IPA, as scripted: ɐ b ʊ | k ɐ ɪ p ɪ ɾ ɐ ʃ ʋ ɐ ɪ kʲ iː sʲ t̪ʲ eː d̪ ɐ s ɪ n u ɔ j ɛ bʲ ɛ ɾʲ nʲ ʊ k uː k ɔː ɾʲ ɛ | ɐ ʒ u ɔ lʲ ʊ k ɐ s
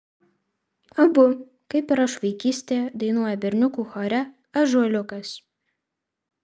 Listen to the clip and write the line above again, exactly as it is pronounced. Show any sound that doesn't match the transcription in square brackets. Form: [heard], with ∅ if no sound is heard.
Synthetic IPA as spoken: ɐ b ʊ | k ɐ ɪ p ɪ ɾ ɐ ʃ ʋ ɐ ɪ kʲ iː sʲ t̪ʲ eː d̪ ɐ [∅] ɪ n u ɔ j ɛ bʲ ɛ ɾʲ nʲ ʊ k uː [x] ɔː ɾʲ ɛ | ɐ ʒ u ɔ lʲ ʊ k ɐ s

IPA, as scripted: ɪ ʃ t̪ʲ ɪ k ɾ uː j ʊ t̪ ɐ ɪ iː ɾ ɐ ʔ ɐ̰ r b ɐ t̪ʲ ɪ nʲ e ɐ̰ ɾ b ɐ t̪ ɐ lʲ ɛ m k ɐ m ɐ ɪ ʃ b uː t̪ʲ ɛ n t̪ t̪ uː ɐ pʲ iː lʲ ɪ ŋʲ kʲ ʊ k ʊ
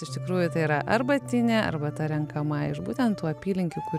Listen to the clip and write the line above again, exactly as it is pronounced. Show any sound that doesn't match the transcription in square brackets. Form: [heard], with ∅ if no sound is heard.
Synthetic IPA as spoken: ɪ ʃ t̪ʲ ɪ k ɾ uː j ʊ t̪ ɐ ɪ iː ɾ ɐ ʔ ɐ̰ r b ɐ t̪ʲ ɪ nʲ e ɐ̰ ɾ b ɐ t̪ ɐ [ɾʲ] ɛ [ŋ] k ɐ m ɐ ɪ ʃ b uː t̪ʲ ɛ n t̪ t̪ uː ɐ pʲ iː lʲ ɪ ŋʲ kʲ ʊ k ʊ

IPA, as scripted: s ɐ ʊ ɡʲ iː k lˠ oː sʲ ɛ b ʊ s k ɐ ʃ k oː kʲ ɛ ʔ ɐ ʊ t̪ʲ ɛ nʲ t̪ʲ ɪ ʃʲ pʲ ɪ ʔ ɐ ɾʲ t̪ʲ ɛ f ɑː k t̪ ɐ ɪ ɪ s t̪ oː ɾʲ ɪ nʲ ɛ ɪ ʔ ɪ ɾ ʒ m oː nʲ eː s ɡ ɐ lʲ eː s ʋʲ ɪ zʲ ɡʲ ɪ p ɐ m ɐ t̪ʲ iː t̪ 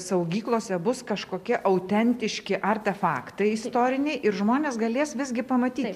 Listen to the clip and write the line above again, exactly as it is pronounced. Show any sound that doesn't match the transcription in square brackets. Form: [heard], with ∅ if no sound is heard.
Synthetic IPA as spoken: s ɐ ʊ ɡʲ iː k lˠ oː sʲ ɛ b ʊ s k ɐ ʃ k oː kʲ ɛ ʔ ɐ ʊ t̪ʲ ɛ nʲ t̪ʲ ɪ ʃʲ [kʲ] ɪ ʔ ɐ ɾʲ t̪ʲ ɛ f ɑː k t̪ ɐ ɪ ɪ s t̪ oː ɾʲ ɪ nʲ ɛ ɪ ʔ ɪ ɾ ʒ m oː nʲ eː s ɡ ɐ lʲ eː s ʋʲ ɪ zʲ ɡʲ ɪ p ɐ m ɐ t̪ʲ iː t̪

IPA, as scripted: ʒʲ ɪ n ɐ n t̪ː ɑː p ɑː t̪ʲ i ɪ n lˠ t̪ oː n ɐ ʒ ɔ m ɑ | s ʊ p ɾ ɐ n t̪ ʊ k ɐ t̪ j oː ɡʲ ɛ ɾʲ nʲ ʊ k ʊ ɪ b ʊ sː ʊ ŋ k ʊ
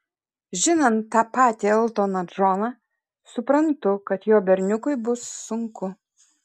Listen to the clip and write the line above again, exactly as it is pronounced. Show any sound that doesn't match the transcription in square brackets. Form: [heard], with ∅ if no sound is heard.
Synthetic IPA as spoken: ʒʲ ɪ n ɐ n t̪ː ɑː p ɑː t̪ʲ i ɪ [∅] lˠ t̪ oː n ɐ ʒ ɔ [n] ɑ | s ʊ p ɾ ɐ n t̪ ʊ k ɐ t̪ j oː [bʲ] ɛ ɾʲ nʲ ʊ k ʊ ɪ b ʊ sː ʊ ŋ k ʊ

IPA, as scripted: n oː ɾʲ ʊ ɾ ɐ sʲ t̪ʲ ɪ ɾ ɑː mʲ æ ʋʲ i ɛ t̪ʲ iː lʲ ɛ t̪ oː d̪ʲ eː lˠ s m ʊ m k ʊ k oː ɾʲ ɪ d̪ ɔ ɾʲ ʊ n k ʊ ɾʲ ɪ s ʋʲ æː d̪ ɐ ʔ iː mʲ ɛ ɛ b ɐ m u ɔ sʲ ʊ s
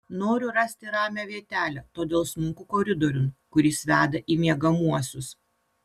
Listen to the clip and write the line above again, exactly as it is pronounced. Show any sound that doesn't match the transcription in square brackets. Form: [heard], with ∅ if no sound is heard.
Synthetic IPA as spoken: n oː ɾʲ ʊ ɾ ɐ sʲ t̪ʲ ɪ ɾ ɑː mʲ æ ʋʲ i ɛ t̪ʲ [æː] lʲ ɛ t̪ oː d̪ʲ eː lˠ s m ʊ [ŋ] k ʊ k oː ɾʲ ɪ d̪ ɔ ɾʲ ʊ n k ʊ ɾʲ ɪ s ʋʲ æː d̪ ɐ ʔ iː mʲ [i] ɛ [ɡ] ɐ m u ɔ sʲ ʊ s

